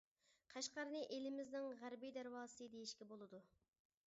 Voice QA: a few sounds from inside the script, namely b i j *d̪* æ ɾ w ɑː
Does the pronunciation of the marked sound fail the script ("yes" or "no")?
no